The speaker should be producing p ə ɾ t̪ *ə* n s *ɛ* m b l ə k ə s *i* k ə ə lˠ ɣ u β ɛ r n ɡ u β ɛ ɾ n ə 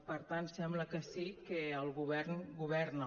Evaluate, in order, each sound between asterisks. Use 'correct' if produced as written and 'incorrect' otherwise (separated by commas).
incorrect, correct, correct